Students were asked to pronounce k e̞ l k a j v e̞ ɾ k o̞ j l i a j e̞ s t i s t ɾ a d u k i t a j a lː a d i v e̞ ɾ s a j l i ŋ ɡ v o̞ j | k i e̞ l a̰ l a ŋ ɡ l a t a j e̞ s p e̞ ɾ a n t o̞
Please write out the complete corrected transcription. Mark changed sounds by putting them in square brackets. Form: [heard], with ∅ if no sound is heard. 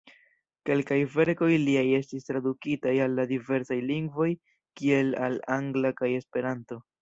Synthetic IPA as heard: k e̞ l k a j v e̞ ɾ k o̞ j l i a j e̞ s t i s t ɾ a d u k i t a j a lː a d i v e̞ ɾ s a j l i ŋ ɡ v o̞ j | k i e̞ l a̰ l a ŋ ɡ l a [k] a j e̞ s p e̞ ɾ a n t o̞